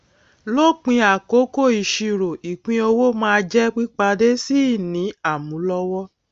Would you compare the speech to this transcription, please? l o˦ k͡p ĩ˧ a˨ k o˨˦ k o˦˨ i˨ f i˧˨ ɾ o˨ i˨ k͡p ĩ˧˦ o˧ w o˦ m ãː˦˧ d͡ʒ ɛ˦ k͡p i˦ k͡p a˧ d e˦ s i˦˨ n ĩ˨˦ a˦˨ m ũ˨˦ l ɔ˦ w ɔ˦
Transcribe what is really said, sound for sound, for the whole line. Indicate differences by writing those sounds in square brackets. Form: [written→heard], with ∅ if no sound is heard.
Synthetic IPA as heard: l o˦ k͡p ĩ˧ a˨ k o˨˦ k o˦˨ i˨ [f→ʃ] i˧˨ ɾ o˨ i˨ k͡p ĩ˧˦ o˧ w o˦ m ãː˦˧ d͡ʒ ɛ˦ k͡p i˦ k͡p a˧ d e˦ s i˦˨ n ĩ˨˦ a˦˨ m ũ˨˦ l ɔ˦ w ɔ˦